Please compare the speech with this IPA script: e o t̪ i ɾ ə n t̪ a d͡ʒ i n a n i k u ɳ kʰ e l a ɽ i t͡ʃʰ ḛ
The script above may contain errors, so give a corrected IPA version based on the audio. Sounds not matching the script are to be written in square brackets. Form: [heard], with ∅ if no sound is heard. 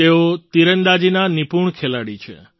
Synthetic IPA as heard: e o t̪ i ɾ ə n [d̪] a d͡ʒ i n a n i [p] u ɳ kʰ e l a ɽ i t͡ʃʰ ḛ